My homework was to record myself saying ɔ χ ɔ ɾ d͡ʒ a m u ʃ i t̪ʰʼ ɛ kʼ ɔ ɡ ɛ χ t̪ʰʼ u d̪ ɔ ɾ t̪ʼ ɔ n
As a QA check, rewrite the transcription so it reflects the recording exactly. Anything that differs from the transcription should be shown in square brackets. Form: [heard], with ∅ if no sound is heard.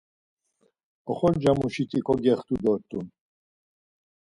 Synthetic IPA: ɔ χ ɔ ɾ d͡ʒ a m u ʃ i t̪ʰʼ [i] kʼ ɔ ɡ ɛ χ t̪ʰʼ u d̪ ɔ ɾ t̪ʼ [u] n